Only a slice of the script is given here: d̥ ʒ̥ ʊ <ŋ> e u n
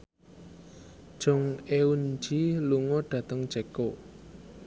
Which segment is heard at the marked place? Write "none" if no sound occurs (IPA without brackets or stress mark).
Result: ŋ